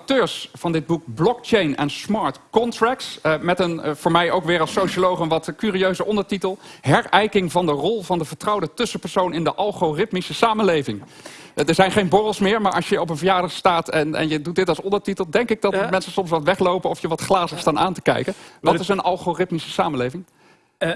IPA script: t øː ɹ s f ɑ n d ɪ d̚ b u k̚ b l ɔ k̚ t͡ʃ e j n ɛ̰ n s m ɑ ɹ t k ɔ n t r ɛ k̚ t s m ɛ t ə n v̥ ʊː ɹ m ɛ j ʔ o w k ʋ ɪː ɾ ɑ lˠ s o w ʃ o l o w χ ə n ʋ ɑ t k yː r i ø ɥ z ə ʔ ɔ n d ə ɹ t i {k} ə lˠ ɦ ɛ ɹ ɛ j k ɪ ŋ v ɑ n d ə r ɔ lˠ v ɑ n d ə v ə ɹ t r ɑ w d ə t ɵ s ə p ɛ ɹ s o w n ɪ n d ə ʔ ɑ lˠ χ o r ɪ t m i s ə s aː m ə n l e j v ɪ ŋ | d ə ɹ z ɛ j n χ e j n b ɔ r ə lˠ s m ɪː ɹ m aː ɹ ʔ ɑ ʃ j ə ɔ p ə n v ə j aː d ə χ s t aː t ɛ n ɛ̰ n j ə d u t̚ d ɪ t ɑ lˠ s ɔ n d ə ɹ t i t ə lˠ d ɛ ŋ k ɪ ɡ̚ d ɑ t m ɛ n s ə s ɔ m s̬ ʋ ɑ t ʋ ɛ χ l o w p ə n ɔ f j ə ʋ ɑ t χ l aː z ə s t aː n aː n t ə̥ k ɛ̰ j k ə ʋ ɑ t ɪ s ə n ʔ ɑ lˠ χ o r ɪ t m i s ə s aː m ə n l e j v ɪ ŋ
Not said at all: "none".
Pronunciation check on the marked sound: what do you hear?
t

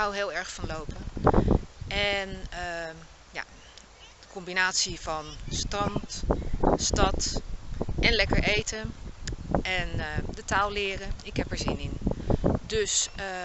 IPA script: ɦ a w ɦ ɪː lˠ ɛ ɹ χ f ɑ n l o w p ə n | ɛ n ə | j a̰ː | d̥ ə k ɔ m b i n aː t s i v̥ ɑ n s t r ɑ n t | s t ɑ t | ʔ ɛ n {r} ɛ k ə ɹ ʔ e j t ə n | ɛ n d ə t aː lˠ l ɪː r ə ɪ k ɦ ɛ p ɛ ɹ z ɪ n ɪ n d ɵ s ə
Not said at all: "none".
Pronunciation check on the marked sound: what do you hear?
l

